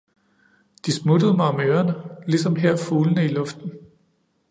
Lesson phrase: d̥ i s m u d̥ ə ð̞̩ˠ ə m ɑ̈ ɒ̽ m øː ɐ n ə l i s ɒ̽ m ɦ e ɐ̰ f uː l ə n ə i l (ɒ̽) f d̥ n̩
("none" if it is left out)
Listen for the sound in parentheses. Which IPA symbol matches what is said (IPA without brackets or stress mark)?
ɔ̽